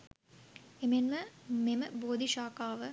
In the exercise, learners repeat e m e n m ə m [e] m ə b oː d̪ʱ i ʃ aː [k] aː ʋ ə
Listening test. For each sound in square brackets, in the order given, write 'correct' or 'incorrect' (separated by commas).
correct, correct